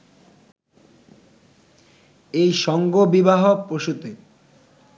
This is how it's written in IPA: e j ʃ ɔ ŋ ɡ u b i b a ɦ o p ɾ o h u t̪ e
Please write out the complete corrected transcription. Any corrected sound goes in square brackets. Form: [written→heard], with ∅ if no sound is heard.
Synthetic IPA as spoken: e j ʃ ɔ ŋ ɡ [u→o] b i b a ɦ o p ɾ o [h→ʃ] u t̪ e